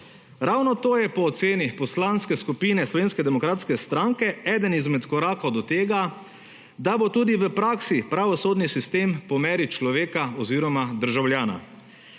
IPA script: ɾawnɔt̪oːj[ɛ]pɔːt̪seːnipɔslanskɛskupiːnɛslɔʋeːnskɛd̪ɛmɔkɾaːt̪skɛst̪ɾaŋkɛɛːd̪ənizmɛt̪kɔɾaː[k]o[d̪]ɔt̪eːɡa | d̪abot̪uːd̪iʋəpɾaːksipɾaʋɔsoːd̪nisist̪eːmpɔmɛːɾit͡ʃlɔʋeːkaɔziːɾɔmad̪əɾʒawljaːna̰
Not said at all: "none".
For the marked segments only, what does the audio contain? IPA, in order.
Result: ɛ, k, d̪

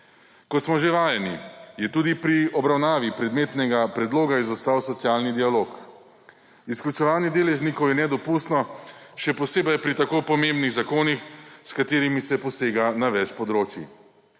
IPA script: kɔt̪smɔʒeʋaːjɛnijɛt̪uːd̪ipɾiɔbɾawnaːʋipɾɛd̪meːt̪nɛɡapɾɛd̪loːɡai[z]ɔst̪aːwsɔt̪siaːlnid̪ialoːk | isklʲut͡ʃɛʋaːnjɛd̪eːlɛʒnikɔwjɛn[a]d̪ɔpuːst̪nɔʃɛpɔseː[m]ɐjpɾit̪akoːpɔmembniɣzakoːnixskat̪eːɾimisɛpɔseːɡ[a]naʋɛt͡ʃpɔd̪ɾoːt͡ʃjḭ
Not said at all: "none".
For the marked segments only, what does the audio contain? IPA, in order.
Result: z, ɛ, b, a

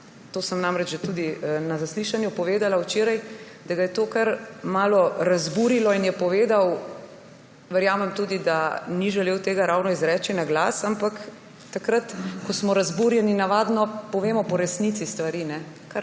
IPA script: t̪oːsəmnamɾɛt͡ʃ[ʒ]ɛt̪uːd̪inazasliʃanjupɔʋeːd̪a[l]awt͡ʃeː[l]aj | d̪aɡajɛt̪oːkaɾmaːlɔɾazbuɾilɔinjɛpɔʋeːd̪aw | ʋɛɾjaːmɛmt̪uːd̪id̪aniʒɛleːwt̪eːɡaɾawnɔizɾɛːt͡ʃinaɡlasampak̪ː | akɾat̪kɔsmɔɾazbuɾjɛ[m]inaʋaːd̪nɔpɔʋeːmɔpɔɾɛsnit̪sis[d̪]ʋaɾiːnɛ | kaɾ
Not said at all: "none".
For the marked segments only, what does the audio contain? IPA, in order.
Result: ʒ, l, ɾ, n, t̪

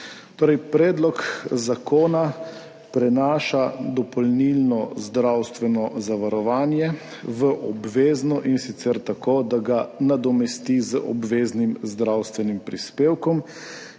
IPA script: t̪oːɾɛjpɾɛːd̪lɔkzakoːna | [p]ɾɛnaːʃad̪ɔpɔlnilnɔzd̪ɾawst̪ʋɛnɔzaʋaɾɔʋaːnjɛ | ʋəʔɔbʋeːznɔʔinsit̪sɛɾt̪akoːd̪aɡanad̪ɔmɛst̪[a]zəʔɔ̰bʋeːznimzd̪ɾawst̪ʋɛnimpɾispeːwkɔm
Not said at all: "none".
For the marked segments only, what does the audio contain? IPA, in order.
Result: p, i

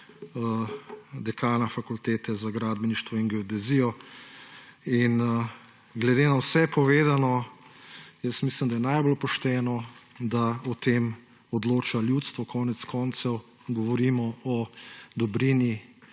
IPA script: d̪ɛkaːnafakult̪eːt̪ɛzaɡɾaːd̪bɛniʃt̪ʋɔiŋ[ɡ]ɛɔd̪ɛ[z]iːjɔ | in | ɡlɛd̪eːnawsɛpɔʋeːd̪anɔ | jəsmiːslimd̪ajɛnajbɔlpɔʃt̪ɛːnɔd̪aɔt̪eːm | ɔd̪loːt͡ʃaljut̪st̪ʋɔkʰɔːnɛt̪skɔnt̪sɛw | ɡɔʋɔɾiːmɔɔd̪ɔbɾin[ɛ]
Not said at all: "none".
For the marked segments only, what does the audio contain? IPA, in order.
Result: ɡ, z, i

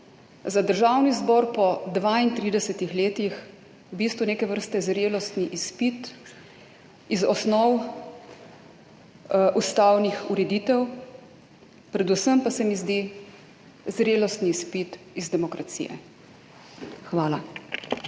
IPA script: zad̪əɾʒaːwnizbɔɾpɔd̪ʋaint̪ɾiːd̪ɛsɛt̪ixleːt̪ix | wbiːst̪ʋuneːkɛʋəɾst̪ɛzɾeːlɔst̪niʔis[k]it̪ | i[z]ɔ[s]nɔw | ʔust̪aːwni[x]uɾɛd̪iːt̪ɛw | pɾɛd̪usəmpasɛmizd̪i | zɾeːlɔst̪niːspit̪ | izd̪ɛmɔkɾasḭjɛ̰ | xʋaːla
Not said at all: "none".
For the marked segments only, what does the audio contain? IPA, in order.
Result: p, z, s, x

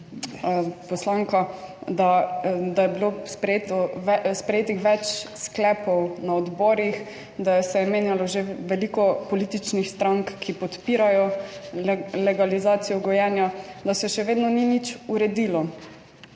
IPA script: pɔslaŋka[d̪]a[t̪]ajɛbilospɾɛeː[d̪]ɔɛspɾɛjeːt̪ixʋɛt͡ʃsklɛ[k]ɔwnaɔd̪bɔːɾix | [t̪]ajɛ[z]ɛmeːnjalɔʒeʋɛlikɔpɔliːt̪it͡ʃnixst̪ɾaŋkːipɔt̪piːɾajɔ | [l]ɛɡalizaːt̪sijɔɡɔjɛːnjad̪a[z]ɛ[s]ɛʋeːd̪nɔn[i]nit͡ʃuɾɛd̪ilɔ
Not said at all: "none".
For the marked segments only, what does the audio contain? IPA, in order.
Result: d̪, d̪, t̪, p, d̪, s, l, s, ʃ, i

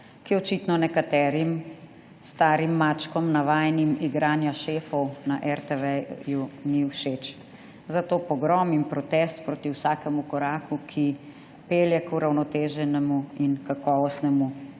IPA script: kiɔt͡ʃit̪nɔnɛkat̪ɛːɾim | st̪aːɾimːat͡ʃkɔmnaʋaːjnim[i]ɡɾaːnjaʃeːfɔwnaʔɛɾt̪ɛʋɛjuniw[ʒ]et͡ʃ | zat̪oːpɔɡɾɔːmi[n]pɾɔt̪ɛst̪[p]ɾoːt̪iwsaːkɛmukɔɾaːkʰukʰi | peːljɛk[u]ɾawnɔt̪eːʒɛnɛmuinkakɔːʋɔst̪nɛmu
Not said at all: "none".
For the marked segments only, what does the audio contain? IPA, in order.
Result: i, ʃ, m, p, u

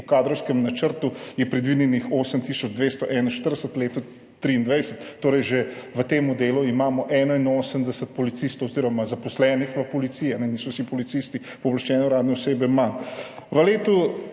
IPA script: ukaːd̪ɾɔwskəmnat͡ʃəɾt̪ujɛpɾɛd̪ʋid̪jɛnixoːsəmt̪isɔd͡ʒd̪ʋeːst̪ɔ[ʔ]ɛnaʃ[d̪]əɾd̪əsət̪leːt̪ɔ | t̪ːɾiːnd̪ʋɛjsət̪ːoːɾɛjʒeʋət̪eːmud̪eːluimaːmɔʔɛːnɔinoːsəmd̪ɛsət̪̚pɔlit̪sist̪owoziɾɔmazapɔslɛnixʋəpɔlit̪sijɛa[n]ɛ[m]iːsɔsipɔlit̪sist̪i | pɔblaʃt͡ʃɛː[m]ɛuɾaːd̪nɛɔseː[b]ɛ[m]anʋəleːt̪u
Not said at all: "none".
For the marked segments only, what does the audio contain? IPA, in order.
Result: ʔ, t̪, n, n, n, b, m

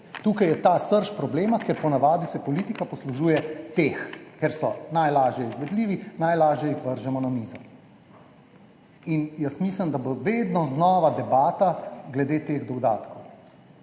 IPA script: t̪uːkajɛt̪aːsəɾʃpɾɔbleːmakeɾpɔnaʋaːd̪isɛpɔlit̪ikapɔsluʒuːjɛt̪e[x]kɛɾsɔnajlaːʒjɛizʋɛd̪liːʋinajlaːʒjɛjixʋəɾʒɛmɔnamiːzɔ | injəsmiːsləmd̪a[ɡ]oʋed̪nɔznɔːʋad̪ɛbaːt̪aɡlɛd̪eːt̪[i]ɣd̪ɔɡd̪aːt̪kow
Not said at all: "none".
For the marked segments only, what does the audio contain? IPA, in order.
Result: x, b, e

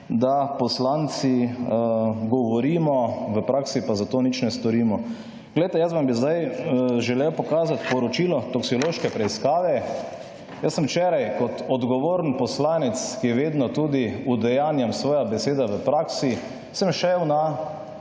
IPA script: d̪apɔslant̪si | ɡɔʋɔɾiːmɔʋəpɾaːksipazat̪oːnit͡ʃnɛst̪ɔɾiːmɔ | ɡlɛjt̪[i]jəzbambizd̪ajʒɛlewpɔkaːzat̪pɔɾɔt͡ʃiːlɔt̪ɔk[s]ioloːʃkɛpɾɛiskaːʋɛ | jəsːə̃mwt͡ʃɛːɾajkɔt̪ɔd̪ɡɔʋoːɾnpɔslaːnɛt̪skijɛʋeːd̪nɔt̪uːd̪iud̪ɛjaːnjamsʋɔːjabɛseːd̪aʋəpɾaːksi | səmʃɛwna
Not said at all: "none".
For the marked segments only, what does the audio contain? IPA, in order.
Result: ɛ, s

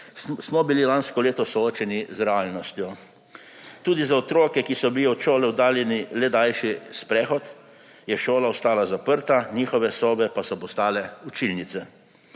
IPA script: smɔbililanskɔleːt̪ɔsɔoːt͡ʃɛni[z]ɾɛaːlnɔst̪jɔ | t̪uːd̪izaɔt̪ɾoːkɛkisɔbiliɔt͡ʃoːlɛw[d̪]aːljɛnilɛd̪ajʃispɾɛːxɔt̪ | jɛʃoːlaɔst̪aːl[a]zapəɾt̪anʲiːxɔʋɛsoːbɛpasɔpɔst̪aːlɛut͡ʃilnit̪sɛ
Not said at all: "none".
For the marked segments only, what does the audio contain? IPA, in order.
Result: z, d̪, a

